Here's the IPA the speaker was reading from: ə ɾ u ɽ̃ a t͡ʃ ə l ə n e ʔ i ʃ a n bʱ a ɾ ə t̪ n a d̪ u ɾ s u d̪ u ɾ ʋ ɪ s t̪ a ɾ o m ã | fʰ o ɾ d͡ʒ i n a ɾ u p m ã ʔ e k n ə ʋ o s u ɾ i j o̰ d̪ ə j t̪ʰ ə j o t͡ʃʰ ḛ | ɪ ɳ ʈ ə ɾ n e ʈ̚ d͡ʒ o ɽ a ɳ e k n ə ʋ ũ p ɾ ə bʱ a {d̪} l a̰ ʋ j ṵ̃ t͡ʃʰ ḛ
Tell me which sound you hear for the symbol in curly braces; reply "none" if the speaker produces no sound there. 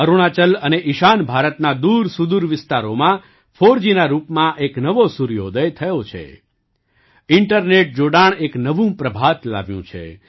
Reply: t̪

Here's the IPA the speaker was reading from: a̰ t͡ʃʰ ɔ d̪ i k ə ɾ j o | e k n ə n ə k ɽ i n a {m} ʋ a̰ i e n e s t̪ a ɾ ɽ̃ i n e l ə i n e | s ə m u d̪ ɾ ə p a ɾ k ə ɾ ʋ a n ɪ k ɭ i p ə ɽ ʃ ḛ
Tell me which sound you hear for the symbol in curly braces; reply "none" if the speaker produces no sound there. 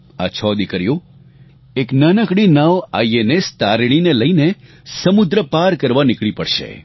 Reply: none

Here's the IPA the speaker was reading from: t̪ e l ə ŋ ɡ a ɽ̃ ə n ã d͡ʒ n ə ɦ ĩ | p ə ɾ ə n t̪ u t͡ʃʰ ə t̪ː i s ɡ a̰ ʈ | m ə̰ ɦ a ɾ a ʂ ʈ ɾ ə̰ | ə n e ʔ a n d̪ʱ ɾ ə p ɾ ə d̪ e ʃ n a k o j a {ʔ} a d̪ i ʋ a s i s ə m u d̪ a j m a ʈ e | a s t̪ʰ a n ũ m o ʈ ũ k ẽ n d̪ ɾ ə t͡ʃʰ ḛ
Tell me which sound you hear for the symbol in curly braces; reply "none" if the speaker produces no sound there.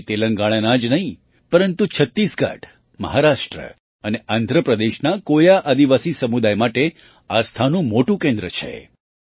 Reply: ʔ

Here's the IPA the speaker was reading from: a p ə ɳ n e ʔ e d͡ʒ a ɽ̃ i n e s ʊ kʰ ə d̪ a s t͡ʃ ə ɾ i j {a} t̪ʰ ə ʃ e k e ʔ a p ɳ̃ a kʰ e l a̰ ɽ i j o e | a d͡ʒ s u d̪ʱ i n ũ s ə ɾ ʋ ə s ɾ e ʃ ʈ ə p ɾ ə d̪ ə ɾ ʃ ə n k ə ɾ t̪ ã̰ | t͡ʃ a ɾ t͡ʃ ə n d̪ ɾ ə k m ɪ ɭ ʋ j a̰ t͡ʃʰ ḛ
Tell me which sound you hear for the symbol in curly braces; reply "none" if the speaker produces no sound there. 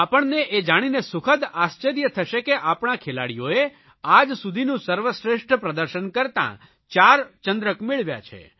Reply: ə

